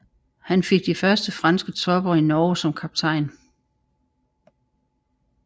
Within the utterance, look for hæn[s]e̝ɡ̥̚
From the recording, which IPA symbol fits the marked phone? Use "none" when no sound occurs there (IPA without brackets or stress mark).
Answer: f